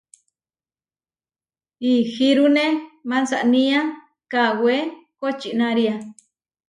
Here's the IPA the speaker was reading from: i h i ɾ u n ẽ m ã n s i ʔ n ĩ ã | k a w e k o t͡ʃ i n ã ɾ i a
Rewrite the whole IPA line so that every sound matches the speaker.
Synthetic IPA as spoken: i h i ɾ u n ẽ m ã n s a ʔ n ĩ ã | k a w e k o t͡ʃ i n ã ɾ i a